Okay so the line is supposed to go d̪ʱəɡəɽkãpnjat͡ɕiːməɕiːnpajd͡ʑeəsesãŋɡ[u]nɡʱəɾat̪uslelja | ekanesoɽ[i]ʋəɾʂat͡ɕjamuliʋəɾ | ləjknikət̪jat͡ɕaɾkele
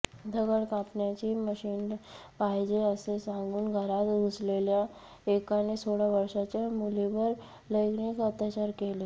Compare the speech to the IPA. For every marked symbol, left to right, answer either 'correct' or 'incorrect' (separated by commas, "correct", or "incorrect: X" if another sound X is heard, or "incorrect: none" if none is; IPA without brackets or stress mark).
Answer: incorrect: uː, incorrect: a